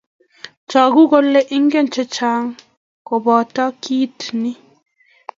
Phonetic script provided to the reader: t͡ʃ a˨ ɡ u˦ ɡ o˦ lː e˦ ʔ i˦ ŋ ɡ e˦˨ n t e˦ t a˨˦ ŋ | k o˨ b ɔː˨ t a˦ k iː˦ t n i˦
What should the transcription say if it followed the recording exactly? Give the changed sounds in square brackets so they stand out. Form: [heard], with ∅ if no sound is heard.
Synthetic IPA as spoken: t͡ʃ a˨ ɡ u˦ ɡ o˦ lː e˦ ʔ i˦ ŋ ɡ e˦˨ n [t͡ʃ] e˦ [t͡ʃ] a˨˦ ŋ | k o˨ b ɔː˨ t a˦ k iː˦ t n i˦